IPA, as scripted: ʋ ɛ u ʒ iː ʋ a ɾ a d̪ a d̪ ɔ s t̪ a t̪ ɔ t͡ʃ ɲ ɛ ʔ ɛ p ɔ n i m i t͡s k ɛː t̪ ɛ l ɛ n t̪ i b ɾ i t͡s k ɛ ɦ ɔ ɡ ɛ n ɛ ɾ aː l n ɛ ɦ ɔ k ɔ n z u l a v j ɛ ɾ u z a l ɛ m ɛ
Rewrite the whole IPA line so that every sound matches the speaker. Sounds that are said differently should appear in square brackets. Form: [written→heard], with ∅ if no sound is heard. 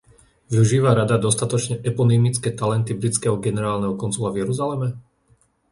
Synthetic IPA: ʋ [ɛ→i] u ʒ iː ʋ a ɾ a d̪ a d̪ ɔ s t̪ a t̪ ɔ t͡ʃ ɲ ɛ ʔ ɛ p ɔ n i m i t͡s k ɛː t̪ [ɛ→a] l ɛ n t̪ i b ɾ i t͡s k ɛ ɦ ɔ ɡ ɛ n ɛ ɾ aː l n ɛ ɦ ɔ k ɔ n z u l a v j ɛ ɾ u z a l ɛ m ɛ